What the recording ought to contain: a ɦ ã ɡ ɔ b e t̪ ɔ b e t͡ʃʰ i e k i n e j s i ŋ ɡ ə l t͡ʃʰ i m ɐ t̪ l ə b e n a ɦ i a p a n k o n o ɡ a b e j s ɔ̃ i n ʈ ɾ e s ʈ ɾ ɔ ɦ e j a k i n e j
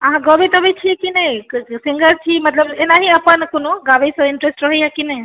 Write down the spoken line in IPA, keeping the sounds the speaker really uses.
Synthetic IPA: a ɦ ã ɡ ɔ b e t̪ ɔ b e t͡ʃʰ i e k i n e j s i ŋ ɡ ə ɾ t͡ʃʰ i m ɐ t̪ l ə b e n a ɦ i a p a n k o n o ɡ a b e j s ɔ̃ i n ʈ ɾ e s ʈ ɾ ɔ ɦ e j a k i n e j

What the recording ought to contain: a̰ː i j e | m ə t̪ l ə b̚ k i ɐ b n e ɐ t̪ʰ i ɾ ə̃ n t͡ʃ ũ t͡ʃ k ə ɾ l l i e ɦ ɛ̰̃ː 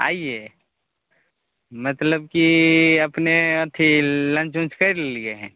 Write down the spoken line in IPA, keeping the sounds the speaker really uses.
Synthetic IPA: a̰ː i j e | m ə t̪ l ə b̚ k i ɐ p n e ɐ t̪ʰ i l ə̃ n t͡ʃ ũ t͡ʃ k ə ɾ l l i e ɦ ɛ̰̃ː

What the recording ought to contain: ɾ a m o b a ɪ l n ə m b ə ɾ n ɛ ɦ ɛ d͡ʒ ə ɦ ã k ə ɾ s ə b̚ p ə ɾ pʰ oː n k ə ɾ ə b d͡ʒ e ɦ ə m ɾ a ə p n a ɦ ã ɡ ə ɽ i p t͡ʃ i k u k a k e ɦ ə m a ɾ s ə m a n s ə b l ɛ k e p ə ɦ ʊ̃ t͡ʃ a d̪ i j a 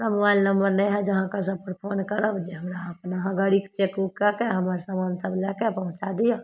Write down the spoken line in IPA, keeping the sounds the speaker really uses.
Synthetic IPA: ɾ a m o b a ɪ l n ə m b ə ɾ n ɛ ɦ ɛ d͡ʒ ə ɦ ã k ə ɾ s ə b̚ p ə ɾ pʰ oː n k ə ɾ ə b d͡ʒ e ɦ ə m ɾ a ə p n a ɦ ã ɡ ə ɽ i k t͡ʃ e k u k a k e ɦ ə m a ɾ s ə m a n s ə b l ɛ k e p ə ɦ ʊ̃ t͡ʃ a d̪ i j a

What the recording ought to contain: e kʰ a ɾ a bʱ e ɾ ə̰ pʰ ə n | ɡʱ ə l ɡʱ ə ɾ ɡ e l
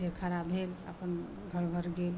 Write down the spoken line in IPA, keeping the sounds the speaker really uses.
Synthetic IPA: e kʰ a ɾ a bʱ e l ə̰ p ə n | ɡʱ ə ɾ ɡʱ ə ɾ ɡ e l

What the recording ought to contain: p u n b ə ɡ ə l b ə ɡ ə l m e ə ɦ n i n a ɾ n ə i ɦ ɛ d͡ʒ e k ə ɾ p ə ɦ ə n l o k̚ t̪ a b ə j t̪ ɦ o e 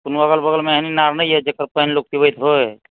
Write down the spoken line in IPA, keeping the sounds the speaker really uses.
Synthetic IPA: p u n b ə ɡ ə l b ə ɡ ə l m e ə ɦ n i n a ɾ n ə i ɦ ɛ d͡ʒ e k ə ɾ p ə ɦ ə n l o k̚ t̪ i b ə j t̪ ɦ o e

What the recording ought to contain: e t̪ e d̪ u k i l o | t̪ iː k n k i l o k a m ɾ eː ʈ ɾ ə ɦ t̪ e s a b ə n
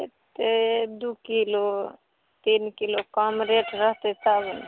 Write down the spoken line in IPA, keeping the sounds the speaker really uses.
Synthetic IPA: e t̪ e d̪ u k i l o | t̪ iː n k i l o k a m ɾ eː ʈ ɾ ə ɦ t̪ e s a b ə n

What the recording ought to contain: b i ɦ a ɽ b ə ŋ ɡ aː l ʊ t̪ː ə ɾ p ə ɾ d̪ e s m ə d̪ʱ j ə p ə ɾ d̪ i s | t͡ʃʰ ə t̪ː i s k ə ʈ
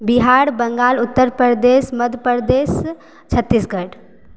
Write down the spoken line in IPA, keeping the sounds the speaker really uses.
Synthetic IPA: b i ɦ a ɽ b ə ŋ ɡ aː l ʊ t̪ː ə ɾ p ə ɾ d̪ e s m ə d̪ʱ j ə p ə ɾ d̪ e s | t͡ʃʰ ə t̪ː i s ɡ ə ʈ

